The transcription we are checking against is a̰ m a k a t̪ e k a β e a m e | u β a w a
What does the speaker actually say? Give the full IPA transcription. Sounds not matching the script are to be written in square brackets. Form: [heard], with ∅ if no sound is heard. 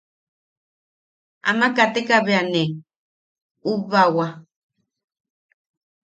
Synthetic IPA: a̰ m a k a t̪ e k a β e a [n] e | u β a w a